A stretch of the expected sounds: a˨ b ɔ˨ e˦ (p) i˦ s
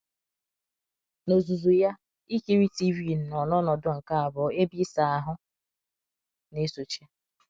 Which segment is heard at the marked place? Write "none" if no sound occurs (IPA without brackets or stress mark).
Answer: b